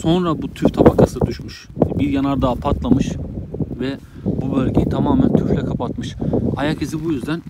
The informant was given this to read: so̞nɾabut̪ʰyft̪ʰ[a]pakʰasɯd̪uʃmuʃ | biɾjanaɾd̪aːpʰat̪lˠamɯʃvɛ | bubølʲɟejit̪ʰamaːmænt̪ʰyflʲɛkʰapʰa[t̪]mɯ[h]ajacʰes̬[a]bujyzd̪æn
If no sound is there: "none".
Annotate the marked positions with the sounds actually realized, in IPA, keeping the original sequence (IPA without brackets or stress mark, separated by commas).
a, t̪, ʃ, i